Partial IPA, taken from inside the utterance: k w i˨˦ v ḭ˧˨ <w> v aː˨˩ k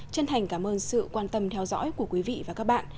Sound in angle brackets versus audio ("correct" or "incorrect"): incorrect